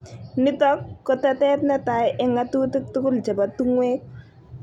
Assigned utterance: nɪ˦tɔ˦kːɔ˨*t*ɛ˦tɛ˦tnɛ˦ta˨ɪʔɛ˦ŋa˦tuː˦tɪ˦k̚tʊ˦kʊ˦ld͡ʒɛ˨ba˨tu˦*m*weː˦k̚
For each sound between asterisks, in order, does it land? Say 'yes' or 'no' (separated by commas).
yes, no